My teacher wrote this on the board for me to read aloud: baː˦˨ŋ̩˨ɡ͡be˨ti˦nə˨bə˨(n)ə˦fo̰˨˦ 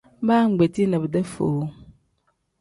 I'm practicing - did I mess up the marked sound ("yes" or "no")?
yes